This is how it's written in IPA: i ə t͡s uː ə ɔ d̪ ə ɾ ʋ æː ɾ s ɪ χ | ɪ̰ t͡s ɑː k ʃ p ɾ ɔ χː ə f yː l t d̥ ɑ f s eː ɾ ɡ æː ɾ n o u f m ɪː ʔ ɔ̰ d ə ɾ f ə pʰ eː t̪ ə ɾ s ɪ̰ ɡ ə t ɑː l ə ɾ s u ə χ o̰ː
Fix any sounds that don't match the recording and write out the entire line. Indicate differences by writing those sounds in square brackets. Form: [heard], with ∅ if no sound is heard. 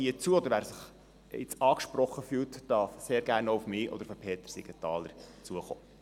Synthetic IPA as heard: i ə t͡s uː ə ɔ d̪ ə ɾ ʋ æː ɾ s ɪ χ | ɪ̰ t͡s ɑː k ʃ p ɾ ɔ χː ə f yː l t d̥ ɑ f s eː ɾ ɡ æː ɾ n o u f m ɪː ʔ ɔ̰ d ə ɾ f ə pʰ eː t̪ ə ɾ s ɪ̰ ɡ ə t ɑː l ə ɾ [t͡s] u ə χ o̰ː